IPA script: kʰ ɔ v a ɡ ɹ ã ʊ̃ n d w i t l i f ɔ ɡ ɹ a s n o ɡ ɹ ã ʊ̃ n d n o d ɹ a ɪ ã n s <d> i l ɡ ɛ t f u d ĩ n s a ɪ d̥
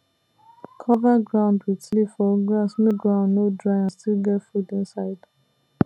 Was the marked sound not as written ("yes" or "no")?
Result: yes